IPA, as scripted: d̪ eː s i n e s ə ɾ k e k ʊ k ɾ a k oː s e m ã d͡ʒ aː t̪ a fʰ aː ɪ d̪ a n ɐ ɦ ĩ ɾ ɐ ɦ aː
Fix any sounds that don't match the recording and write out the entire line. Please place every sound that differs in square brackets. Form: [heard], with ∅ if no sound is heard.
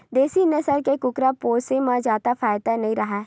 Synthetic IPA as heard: d̪ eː s i n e s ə ɾ k e k ʊ k ɾ a [p] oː s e m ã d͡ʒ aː t̪ a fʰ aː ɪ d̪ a n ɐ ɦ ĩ ɾ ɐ ɦ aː